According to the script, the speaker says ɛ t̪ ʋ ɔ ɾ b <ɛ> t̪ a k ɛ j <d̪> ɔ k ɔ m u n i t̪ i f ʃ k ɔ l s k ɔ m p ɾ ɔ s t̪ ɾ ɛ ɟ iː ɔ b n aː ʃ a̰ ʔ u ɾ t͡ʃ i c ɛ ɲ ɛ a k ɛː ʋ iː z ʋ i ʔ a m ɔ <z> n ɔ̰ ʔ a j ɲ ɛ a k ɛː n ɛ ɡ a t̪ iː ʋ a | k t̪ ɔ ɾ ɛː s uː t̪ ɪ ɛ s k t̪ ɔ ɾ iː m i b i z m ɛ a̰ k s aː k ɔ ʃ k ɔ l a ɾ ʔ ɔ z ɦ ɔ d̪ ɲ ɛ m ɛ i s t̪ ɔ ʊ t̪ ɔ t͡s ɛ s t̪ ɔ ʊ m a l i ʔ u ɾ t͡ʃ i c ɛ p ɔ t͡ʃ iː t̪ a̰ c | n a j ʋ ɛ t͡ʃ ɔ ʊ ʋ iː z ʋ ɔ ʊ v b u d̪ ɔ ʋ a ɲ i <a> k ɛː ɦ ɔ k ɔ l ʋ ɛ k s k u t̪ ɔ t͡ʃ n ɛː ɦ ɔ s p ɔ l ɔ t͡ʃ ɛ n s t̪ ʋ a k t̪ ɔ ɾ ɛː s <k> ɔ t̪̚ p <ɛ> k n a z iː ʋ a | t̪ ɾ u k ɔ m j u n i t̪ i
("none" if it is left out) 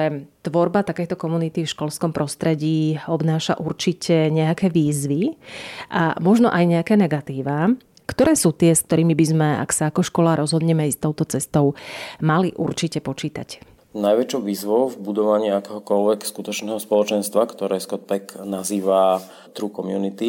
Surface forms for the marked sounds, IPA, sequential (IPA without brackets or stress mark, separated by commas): a, t̪, ʒ, a, k, ɛ